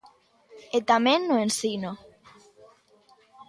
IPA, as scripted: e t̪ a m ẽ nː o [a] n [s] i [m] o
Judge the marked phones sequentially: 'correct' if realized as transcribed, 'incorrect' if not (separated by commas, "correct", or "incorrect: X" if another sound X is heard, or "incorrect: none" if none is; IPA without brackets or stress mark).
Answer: incorrect: e, correct, incorrect: n